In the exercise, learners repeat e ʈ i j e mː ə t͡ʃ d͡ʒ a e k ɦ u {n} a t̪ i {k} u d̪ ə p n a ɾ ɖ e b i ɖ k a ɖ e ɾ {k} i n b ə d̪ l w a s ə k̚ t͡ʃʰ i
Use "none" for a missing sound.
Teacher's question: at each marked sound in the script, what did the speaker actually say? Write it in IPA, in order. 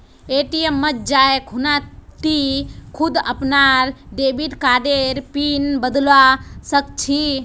n, kʰ, p

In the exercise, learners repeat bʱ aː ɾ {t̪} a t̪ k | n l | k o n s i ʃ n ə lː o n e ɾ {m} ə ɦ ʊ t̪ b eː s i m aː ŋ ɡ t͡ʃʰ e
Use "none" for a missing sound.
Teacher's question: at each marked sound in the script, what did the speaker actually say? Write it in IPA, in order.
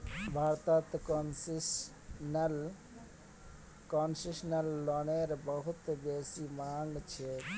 t̪, b

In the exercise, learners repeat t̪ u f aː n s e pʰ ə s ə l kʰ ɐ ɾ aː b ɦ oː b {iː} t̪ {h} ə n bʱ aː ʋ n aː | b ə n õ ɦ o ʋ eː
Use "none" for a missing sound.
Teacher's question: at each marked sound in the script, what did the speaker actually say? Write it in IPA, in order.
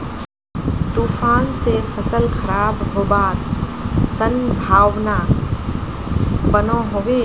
aː, s

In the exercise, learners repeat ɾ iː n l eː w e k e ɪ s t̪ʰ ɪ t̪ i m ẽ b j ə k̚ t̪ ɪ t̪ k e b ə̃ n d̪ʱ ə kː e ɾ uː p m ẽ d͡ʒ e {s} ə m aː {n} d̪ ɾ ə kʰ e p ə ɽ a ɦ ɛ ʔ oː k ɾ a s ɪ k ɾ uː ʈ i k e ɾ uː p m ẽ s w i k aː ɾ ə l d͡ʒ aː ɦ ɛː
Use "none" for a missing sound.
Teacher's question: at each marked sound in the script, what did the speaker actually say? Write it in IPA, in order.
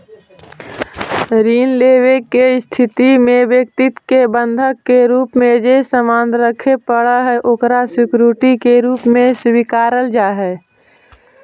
s, n

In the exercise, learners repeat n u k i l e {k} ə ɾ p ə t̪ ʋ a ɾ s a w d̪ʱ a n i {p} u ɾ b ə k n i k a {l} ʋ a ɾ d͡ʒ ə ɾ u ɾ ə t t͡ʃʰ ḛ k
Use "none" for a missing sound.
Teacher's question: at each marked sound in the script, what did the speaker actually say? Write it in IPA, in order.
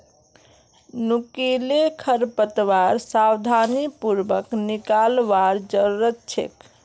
kʰ, p, l

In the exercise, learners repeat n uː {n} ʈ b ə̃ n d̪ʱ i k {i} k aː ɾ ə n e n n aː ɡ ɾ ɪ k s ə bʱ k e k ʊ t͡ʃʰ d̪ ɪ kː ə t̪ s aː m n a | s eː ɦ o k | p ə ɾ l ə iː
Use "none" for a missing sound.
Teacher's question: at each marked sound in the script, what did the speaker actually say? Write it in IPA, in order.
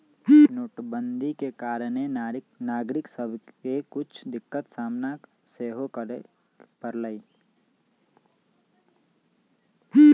none, e

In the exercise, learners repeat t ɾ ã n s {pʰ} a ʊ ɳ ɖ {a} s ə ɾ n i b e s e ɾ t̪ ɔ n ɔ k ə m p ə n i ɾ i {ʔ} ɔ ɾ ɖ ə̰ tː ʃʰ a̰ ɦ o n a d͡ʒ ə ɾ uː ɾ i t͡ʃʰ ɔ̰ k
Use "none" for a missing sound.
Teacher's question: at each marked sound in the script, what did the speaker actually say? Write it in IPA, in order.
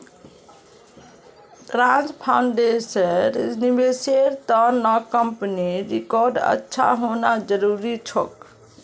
pʰ, e, k

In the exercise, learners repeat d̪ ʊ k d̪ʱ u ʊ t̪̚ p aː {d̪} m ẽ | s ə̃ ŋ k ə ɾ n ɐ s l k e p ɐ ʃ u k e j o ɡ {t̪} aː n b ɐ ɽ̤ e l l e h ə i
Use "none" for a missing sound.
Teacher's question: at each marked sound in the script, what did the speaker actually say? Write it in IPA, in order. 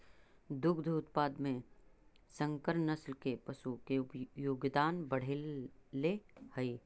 d̪, d̪

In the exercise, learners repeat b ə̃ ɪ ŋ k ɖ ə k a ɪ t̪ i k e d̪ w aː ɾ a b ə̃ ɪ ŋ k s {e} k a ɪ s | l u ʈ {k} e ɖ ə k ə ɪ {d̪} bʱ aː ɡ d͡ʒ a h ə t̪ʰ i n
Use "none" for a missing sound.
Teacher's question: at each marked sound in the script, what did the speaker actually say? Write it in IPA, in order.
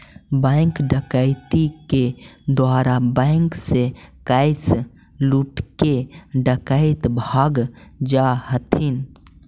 e, k, t̪

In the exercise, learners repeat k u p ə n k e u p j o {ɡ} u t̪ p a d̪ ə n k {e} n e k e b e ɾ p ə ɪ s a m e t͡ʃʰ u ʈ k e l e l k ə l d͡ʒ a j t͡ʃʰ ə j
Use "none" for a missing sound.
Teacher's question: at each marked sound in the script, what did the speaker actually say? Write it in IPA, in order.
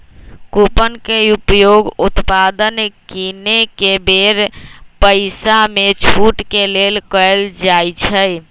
ɡ, i

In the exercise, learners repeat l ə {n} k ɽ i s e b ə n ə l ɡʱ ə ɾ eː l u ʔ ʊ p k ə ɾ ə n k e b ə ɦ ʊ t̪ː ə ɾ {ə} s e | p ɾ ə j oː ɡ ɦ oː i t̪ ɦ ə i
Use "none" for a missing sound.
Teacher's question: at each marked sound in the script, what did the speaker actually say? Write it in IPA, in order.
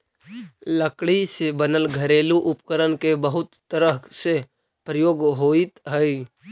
none, ə

